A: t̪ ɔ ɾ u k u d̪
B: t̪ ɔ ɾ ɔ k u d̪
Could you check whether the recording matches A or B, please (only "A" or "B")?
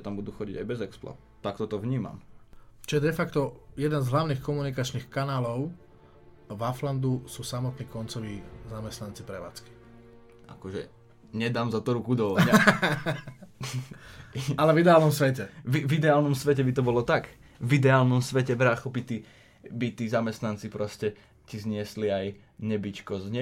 A